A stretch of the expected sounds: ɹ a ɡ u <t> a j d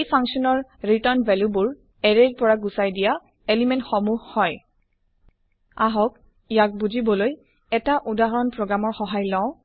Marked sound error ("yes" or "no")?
yes